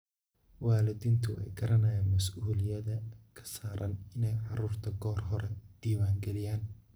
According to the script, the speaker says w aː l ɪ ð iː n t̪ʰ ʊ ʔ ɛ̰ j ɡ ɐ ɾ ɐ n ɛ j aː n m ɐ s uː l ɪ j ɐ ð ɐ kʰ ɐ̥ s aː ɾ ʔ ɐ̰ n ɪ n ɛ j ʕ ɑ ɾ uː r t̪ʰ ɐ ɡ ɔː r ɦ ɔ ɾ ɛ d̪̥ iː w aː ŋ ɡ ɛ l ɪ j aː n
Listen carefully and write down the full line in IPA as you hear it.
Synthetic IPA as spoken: w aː l ɪ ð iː n t̪ʰ ʊ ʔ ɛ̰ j ɡ ɐ ɾ ɐ n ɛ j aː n m ɐ s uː l ɪ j ɐ ð ɐ kʰ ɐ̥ s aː ɾ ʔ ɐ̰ n ɪ n ɛ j ʕ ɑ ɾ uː r t̪ʰ ɐ ɡ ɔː r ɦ ɔ ɾ ɛ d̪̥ iː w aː ŋ ɡ ɛ l ɪ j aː n